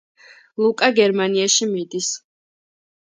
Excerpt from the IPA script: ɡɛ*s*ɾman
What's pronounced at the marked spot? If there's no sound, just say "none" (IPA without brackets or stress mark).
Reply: none